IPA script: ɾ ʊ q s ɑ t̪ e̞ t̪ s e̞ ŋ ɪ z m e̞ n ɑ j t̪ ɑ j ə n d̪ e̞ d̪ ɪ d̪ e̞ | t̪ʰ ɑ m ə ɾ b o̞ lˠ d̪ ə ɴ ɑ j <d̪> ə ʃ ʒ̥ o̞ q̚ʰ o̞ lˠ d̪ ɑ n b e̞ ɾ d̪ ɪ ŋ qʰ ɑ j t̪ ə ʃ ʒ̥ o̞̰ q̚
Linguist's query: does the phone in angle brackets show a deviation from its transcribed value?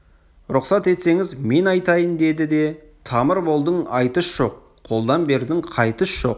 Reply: yes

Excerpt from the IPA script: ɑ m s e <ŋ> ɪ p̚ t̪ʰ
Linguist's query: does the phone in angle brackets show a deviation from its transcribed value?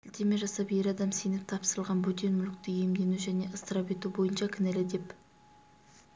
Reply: yes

